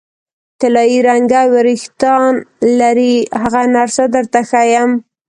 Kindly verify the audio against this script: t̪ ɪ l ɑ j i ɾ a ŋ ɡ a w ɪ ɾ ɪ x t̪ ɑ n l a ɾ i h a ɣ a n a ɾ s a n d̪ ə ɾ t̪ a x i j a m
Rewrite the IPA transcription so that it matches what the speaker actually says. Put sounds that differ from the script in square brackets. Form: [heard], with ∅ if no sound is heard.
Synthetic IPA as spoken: t̪ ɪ l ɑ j i ɾ a ŋ ɡ a w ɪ ɾ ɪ x t̪ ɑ n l a ɾ i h a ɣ a n a ɾ s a [∅] d̪ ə ɾ t̪ a x [a] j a m